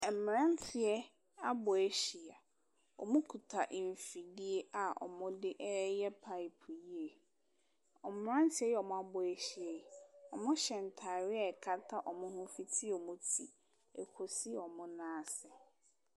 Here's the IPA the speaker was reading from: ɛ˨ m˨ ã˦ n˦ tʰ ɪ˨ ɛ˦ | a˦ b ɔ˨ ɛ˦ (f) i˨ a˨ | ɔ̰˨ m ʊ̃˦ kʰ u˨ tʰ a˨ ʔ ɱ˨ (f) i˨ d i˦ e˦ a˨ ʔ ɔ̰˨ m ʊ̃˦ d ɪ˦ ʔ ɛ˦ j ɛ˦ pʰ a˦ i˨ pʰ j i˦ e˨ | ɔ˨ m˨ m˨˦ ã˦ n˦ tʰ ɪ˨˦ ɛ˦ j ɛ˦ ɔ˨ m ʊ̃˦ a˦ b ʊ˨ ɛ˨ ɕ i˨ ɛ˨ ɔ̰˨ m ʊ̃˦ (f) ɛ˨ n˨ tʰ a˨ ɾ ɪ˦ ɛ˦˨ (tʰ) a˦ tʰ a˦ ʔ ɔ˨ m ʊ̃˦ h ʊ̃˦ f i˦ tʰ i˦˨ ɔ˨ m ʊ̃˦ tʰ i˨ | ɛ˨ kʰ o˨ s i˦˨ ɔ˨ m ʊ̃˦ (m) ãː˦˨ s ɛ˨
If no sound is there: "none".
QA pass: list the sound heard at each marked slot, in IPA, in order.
ɕ, f, ɕ, kʰ, n

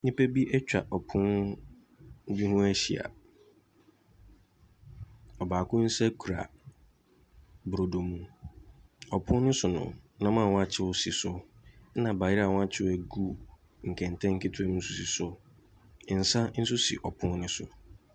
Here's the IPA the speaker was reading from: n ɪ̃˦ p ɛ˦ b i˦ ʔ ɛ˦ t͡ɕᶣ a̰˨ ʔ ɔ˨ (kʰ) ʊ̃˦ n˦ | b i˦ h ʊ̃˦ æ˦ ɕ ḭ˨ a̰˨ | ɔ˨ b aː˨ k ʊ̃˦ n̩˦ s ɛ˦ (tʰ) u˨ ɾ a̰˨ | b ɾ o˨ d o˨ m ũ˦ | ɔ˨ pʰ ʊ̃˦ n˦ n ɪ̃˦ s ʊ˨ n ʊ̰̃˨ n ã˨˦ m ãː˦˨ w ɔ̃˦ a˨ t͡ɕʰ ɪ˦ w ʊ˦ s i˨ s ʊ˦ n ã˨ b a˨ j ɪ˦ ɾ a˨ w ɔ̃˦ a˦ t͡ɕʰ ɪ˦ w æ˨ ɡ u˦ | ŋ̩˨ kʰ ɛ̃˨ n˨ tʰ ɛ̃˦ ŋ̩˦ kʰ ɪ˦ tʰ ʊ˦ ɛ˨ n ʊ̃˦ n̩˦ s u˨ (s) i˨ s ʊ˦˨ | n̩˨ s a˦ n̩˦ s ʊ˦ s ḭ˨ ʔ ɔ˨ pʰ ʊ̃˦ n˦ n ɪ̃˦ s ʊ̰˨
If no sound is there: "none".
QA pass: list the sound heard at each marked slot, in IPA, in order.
pʰ, kʰ, s

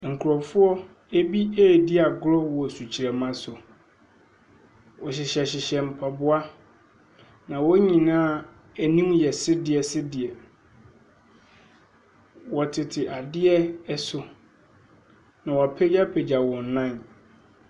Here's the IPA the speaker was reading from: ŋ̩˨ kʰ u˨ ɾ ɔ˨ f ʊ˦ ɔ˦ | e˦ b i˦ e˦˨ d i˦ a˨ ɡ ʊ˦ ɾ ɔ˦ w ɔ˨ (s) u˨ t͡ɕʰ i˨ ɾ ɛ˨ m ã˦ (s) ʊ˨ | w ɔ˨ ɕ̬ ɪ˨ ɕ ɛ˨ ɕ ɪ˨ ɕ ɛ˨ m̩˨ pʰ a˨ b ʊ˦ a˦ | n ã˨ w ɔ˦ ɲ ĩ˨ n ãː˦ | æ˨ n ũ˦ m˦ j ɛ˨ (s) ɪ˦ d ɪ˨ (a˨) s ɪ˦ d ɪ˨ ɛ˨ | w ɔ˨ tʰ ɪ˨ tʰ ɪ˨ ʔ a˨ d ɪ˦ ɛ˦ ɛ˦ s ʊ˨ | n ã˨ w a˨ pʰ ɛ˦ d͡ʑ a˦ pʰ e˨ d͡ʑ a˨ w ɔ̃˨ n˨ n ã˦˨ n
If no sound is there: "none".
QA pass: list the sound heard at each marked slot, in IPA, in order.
s, s, s, ɛ˨

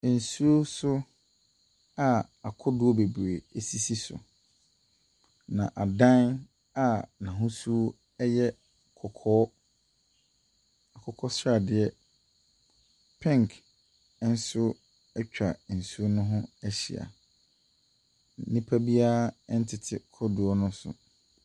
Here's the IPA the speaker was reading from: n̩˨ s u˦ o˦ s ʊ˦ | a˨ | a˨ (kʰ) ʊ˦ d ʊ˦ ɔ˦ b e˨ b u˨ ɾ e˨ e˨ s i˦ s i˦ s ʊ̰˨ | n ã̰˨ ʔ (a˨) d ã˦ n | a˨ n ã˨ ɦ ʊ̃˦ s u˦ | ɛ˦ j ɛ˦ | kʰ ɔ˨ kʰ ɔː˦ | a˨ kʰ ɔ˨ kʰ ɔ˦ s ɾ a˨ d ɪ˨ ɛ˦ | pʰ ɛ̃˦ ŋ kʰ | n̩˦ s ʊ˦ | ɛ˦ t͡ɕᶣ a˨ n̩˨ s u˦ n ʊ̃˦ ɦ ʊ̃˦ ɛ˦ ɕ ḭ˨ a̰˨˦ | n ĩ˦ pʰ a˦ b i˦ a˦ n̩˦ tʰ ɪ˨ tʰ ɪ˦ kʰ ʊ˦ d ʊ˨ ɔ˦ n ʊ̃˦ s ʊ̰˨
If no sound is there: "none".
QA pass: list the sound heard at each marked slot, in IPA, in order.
kʰ, a˨

